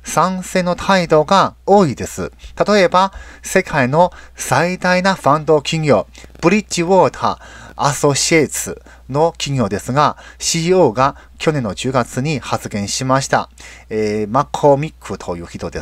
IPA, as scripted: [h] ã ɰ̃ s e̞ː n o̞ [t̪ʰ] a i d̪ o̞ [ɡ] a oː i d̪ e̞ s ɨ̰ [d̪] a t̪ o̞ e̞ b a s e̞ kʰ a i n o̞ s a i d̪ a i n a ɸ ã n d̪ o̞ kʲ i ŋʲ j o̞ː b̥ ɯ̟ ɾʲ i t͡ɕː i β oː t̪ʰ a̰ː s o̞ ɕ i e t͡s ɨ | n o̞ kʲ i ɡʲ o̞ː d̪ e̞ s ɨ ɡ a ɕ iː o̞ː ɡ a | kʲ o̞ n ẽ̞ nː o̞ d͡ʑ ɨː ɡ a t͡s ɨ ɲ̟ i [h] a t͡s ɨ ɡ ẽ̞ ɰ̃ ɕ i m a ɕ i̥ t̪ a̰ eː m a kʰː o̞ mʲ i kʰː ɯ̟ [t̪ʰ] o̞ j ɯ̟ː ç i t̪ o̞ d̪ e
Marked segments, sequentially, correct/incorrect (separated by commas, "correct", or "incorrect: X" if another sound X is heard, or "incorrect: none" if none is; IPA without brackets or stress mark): incorrect: s, correct, correct, incorrect: t̪, correct, correct